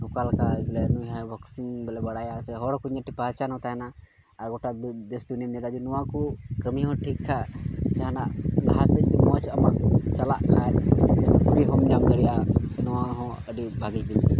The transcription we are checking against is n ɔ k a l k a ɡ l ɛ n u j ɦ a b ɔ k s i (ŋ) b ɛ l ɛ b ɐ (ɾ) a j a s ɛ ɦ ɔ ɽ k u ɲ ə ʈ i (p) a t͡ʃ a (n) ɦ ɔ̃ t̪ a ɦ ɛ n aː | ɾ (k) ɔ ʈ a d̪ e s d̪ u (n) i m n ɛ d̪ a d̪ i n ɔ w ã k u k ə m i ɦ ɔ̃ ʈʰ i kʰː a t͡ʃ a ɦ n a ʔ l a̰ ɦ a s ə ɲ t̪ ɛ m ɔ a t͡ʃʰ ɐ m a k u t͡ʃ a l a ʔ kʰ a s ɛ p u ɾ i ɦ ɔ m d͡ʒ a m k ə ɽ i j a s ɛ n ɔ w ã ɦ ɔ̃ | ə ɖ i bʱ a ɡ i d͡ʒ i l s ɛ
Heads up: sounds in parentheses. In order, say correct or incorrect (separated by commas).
correct, incorrect, correct, correct, incorrect, correct